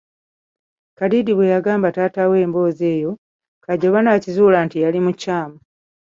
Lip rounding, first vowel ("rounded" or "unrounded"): unrounded